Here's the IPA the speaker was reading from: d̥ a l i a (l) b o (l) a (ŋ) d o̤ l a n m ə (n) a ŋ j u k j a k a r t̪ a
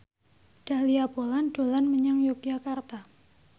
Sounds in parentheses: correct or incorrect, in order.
incorrect: none, correct, incorrect: n, incorrect: ɲ

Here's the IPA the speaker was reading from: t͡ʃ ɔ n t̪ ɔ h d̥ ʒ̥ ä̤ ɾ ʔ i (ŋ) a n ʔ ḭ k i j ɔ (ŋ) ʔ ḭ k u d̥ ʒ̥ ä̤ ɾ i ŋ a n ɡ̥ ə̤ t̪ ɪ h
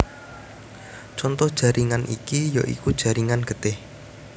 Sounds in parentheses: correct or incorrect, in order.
correct, incorrect: none

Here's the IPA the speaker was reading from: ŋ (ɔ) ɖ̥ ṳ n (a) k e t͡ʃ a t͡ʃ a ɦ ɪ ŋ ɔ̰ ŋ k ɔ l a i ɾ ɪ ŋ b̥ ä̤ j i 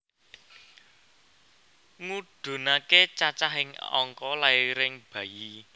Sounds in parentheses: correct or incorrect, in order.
incorrect: u, correct

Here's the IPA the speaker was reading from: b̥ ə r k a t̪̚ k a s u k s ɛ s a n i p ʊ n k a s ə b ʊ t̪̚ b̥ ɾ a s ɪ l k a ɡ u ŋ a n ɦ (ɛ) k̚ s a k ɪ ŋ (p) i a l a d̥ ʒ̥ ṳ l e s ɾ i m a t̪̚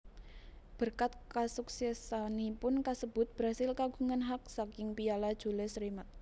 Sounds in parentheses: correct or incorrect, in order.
incorrect: a, correct

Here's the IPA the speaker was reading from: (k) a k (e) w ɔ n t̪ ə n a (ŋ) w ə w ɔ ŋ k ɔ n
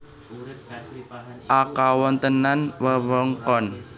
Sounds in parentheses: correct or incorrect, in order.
incorrect: ʔ, incorrect: a, incorrect: n

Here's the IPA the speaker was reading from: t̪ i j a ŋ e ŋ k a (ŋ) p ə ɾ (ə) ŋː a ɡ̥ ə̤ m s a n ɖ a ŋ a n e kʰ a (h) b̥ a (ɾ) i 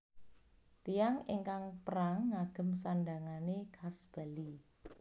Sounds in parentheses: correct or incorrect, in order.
correct, incorrect: a, incorrect: s, incorrect: l

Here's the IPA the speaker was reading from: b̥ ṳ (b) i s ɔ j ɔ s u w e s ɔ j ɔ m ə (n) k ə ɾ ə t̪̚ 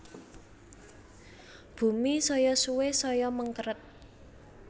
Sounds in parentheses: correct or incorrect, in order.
incorrect: m, incorrect: ŋ

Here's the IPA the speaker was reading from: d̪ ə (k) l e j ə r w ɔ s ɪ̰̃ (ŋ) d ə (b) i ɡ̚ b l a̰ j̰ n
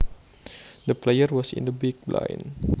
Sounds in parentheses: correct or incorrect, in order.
incorrect: p, incorrect: n, correct

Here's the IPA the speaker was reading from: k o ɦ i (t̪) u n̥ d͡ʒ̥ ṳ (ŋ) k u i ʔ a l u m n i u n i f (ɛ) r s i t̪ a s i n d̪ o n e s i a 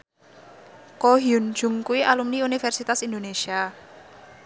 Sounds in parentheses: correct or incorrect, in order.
incorrect: none, correct, correct

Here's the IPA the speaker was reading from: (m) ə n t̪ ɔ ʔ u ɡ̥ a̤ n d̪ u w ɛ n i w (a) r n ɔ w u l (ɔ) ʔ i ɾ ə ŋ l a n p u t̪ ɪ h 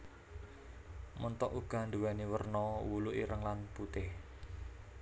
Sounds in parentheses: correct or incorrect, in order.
correct, incorrect: ə, incorrect: u

